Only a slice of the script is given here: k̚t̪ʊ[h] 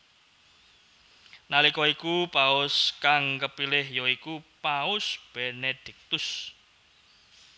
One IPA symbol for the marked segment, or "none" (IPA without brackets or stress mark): s